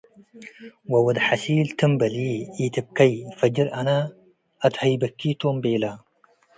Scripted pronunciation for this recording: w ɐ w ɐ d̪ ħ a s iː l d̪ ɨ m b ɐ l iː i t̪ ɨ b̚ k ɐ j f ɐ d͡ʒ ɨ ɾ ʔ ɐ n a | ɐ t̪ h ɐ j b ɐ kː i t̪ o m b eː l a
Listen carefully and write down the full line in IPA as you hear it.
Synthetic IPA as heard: w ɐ w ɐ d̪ ħ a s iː l t̪ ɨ m b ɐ l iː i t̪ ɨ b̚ k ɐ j f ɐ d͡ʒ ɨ ɾ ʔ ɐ n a | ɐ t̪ h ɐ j b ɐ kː i t̪ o m b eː l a